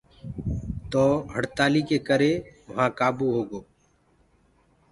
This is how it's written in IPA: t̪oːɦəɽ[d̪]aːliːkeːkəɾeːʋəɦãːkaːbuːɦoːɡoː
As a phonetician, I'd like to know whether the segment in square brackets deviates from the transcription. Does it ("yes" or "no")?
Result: yes